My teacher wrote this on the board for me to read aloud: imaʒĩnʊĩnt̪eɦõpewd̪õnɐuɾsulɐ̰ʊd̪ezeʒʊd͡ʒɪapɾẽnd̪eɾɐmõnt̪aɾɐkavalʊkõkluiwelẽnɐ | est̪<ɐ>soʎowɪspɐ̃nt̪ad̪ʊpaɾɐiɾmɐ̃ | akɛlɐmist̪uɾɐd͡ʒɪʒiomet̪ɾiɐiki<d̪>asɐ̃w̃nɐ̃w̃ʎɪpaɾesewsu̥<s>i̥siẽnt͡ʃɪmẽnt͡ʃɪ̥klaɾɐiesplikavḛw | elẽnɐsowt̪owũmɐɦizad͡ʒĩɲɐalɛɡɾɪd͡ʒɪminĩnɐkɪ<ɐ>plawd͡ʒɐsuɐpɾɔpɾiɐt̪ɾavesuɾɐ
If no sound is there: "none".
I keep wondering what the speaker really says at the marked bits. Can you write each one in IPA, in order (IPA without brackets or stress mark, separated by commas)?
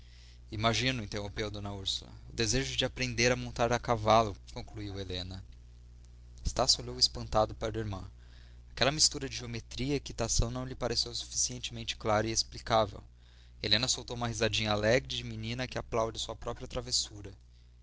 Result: a, t̪, f, a